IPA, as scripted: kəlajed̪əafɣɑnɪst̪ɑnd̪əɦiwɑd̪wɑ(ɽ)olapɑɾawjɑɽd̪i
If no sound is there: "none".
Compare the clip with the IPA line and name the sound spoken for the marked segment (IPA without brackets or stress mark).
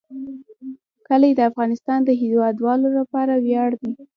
l